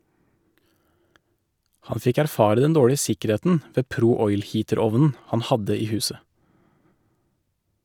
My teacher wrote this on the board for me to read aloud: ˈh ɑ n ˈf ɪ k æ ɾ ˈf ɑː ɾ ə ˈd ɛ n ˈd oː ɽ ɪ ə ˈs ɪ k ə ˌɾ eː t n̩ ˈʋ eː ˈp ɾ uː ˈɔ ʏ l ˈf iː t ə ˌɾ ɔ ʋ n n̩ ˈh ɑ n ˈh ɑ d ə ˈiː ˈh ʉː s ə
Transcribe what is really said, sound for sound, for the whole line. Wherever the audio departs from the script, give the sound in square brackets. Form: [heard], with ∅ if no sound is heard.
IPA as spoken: ˈh ɑ n ˈf ɪ k æ ɾ ˈf ɑː ɾ ə ˈd ɛ n ˈd oː ɽ ɪ ə ˈs ɪ k ə ˌɾ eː t n̩ ˈʋ eː ˈp ɾ uː ˈɔ ʏ l [ˈh] iː t ə ˌɾ ɔ ʋ n n̩ ˈh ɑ n ˈh ɑ d ə ˈiː ˈh ʉː s ə

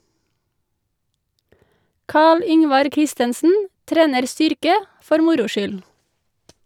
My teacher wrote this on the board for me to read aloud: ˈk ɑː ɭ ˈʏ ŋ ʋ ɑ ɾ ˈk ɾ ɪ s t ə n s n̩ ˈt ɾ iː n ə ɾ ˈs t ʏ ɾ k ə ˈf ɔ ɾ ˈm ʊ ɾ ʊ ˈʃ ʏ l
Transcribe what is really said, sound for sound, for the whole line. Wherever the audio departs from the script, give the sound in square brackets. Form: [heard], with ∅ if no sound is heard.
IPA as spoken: ˈk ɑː ɭ ˈʏ ŋ ʋ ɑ ɾ ˈk ɾ ɪ s t ə n s n̩ ˈt ɾ [eː] n ə ɾ ˈs t ʏ ɾ k ə ˈf ɔ ɾ ˈm ʊ ɾ ʊ ˈʃ ʏ l

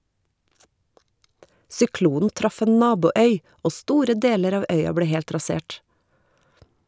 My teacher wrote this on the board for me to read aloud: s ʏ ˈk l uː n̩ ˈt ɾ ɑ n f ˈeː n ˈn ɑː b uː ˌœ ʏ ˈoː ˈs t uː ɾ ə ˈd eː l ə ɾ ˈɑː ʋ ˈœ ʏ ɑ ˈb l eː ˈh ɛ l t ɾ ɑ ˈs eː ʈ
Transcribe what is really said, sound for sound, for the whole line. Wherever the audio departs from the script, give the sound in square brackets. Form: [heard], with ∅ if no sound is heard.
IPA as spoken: s ʏ ˈk l uː n̩ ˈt ɾ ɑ [∅] f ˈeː n ˈn ɑː b uː ˌœ ʏ ˈoː ˈs t uː ɾ ə ˈd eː l ə ɾ ˈɑː ʋ ˈœ ʏ ɑ ˈb l eː ˈh ɛ l t ɾ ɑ ˈs eː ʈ

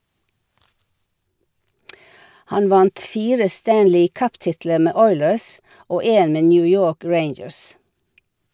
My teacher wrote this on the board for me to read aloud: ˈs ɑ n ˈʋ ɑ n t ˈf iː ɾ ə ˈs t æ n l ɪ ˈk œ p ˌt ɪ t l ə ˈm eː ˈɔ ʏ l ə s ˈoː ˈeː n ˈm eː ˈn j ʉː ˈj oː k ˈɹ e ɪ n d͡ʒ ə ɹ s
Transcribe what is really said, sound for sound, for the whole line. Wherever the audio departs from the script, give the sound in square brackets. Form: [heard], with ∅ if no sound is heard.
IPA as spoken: [ˈh] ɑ n ˈʋ ɑ n t ˈf iː ɾ ə ˈs t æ n l ɪ ˈk œ p ˌt ɪ t l ə ˈm eː ˈɔ ʏ l ə s ˈoː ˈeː n ˈm eː ˈn j ʉː ˈj oː k ˈɹ e ɪ n d͡ʒ ə ɹ s

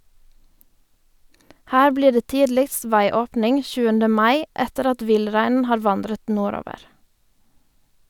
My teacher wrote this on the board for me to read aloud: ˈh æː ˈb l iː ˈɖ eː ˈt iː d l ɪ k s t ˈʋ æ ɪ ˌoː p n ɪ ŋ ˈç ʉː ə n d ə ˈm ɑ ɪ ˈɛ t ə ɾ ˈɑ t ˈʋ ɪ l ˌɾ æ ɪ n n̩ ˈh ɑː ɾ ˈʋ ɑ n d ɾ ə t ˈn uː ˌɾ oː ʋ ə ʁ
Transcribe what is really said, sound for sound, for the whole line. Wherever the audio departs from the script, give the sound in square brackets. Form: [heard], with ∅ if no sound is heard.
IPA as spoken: ˈh æː ˈb l iː ˈɖ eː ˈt iː d l ɪ k s t ˈʋ æ ɪ ˌoː p n ɪ ŋ ˈç ʉː ə n d ə ˈm ɑ ɪ ˈɛ t ə ɾ ˈɑ t ˈʋ ɪ l ˌɾ æ ɪ n n̩ ˈh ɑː ɾ ˈʋ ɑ n d ɾ ə t ˈn uː ˌɾ oː ʋ ə ʁ

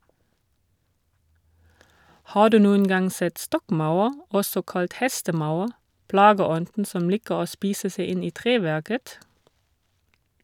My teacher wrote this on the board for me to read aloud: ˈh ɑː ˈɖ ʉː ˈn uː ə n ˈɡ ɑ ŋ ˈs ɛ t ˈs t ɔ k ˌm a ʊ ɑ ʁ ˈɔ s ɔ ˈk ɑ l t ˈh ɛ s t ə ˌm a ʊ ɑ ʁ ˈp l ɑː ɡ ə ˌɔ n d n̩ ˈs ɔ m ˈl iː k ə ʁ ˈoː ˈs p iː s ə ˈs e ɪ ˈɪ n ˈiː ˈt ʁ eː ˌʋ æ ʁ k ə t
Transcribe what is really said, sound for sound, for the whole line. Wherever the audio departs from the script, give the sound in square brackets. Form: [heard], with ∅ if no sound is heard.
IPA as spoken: ˈh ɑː [ˈd] ʉː ˈn uː ə n ˈɡ ɑ ŋ ˈs ɛ t ˈs t ɔ k ˌm a ʊ ɑ ʁ ˈɔ s ɔ ˈk ɑ l t ˈh ɛ s t ə ˌm a ʊ ɑ ʁ ˈp l ɑː ɡ ə ˌɔ n d n̩ ˈs ɔ m ˈl iː k ə ʁ ˈoː ˈs p iː s ə ˈs e ɪ ˈɪ n ˈiː ˈt ʁ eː ˌʋ æ ʁ k ə t

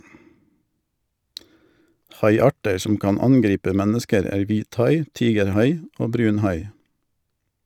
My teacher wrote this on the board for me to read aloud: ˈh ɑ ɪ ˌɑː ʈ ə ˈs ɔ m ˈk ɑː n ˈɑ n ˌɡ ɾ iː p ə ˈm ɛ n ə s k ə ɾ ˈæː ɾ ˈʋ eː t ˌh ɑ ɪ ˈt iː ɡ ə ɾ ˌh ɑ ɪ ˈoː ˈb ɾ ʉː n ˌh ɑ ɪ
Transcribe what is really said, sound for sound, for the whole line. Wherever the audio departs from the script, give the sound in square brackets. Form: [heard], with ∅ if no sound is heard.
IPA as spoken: ˈh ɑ ɪ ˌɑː ʈ ə ˈs ɔ m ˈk ɑː n ˈɑ n ˌɡ ɾ iː p ə ˈm ɛ n ə s k ə ɾ ˈæː ɾ ˈʋ [iː] t ˌh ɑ ɪ ˈt iː ɡ ə ɾ ˌh ɑ ɪ ˈoː ˈb ɾ ʉː n ˌh ɑ ɪ

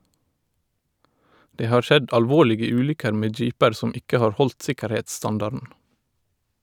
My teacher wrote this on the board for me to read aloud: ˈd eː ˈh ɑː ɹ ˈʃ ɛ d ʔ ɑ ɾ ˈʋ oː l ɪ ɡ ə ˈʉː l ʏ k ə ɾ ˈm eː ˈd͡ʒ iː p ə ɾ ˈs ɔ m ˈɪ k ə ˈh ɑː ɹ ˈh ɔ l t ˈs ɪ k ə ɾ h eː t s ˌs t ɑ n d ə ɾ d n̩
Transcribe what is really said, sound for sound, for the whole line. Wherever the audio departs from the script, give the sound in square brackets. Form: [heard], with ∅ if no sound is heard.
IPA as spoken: ˈd eː ˈh ɑː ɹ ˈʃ ɛ d ʔ ɑ [l] ˈʋ oː l ɪ ɡ ə ˈʉː l ʏ k ə ɾ ˈm eː ˈd͡ʒ iː p ə ɾ ˈs ɔ m ˈɪ k ə ˈh ɑː ɹ ˈh ɔ l t ˈs ɪ k ə ɾ h eː t s ˌs t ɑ n d [ɑ] ɾ d n̩

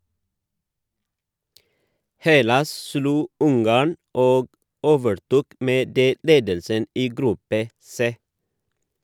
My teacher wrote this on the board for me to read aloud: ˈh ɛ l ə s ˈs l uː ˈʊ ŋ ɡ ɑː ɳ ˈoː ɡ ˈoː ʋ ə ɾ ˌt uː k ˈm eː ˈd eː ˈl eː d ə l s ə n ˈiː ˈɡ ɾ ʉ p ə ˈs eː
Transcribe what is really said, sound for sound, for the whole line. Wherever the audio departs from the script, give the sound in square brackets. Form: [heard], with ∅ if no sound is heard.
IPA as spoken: ˈh ɛ l [ɑ] s ˈs l uː ˈʊ ŋ ɡ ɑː ɳ ˈoː ɡ ˈoː ʋ ə ɾ ˌt uː k ˈm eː ˈd eː ˈl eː d ə l s ə n ˈiː ˈɡ ɾ ʉ p ə ˈs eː

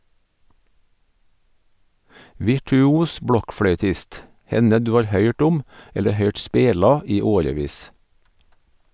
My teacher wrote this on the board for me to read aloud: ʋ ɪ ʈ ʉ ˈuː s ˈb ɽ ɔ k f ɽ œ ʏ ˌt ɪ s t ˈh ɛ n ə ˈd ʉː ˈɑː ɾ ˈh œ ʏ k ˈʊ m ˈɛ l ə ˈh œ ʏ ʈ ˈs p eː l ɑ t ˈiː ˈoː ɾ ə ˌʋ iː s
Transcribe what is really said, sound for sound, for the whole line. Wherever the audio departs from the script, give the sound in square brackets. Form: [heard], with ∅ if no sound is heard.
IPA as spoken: ʋ ɪ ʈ ʉ ˈuː s ˈb ɽ ɔ k f ɽ œ ʏ ˌt ɪ s t ˈh ɛ n ə ˈd ʉː ˈɑː ɾ ˈh œ ʏ [ʈ] ˈʊ m ˈɛ l ə ˈh œ ʏ ʈ ˈs p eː l ɑ [∅] ˈiː ˈoː ɾ ə ˌʋ iː s

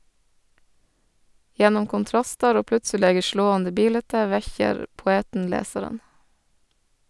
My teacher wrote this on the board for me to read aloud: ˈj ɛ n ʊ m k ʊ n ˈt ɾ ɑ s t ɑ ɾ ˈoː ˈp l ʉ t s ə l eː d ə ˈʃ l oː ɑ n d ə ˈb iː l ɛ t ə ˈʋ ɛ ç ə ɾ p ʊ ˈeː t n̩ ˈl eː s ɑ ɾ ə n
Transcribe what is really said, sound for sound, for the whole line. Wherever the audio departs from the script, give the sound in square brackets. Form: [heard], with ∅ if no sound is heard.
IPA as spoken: ˈj ɛ n ʊ m k ʊ n ˈt ɾ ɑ s t ɑ ɾ ˈoː ˈp l ʉ t s ə l eː [ɡ] ə ˈʃ l oː ɑ n d ə ˈb iː l ɛ t ə ˈʋ ɛ ç ə ɾ p ʊ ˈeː t n̩ ˈl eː s ɑ ɾ ə n

